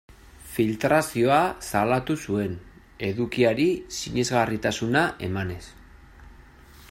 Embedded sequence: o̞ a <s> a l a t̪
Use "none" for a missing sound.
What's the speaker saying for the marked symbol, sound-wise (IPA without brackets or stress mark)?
s